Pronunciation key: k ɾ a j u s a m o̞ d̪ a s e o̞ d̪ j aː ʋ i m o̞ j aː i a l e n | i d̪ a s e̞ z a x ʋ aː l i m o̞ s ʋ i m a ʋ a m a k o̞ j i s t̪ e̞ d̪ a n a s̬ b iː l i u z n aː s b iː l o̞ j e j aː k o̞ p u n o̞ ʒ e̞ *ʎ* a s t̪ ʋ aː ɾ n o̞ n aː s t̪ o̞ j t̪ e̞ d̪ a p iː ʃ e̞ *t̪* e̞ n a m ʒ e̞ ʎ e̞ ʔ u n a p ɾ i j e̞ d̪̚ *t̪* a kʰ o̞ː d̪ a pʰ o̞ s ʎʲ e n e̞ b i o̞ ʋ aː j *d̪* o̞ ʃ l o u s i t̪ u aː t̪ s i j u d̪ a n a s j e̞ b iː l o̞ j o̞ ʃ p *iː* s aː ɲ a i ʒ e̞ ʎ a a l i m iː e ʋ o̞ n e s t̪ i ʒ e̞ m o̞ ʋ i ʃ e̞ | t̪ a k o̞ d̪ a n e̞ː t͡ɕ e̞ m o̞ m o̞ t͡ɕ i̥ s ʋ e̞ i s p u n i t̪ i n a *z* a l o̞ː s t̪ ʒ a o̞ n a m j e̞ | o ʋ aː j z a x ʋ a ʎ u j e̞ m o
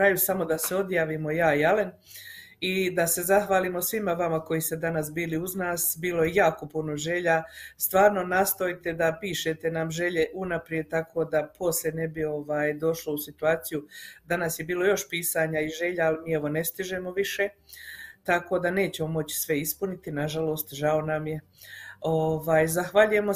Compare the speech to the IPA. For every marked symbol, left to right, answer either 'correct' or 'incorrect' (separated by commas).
correct, correct, correct, correct, correct, incorrect